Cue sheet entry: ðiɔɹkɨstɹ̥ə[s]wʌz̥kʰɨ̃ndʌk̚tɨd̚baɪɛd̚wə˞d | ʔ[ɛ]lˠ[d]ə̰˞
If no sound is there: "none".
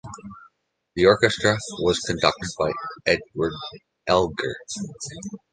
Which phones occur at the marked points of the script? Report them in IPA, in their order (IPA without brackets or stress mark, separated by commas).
none, ɛ, ɡ